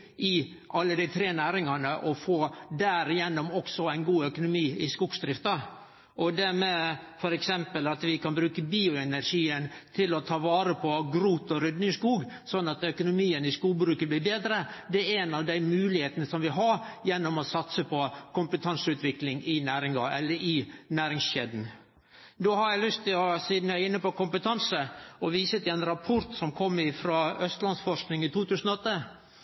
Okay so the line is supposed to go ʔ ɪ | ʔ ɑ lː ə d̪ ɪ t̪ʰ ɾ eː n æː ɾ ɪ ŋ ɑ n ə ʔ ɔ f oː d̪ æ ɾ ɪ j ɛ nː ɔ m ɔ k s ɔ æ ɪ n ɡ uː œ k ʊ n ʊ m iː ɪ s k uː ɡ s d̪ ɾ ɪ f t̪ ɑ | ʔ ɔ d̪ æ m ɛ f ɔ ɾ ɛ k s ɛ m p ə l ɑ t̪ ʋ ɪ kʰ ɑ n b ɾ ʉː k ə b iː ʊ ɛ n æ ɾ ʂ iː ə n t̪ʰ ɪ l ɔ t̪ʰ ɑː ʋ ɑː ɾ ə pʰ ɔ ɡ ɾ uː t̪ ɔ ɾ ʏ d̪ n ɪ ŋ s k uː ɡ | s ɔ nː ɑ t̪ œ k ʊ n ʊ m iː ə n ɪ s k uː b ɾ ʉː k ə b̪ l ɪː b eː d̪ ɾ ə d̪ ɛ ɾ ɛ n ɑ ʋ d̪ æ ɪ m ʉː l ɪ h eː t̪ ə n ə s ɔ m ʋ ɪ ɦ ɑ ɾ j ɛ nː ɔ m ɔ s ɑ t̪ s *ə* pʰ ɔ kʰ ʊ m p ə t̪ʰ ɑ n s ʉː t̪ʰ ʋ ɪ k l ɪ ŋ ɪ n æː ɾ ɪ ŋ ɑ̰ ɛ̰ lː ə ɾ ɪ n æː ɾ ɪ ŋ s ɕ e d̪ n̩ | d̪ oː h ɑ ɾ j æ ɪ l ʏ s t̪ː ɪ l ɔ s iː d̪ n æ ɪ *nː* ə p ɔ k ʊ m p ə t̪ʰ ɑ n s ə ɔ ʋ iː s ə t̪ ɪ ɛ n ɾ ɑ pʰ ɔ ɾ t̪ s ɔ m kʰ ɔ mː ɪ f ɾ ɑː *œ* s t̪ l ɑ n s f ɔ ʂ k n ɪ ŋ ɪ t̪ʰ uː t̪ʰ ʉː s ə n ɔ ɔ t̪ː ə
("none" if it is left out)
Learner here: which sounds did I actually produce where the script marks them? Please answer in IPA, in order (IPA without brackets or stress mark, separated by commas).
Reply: ə, nː, œ